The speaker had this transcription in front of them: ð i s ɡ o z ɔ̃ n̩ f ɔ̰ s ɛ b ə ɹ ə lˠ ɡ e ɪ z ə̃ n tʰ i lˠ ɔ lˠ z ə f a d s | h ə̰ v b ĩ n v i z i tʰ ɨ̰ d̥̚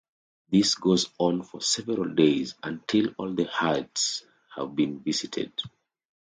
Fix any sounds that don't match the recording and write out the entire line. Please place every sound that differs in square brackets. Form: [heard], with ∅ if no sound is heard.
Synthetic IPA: ð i s ɡ o z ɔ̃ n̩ f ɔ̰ s ɛ [v] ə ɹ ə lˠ [d] e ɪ z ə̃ n tʰ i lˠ ɔ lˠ [ð] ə [h] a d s | h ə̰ v b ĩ n v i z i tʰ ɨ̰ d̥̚